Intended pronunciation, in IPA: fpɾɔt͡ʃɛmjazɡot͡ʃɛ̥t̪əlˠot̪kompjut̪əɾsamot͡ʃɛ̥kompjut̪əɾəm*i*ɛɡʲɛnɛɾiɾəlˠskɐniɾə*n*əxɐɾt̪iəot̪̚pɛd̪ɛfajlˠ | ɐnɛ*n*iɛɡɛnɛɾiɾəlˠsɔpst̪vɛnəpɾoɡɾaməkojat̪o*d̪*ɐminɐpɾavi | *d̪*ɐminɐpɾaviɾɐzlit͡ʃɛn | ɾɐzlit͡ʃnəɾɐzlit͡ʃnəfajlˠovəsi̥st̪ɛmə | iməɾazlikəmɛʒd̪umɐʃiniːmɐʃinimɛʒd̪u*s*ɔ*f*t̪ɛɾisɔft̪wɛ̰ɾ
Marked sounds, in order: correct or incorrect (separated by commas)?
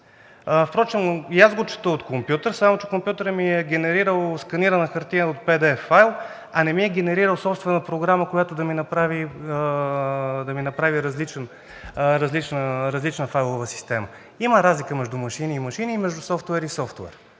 correct, correct, incorrect, correct, correct, correct, correct